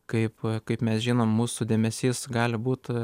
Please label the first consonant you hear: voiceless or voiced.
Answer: voiceless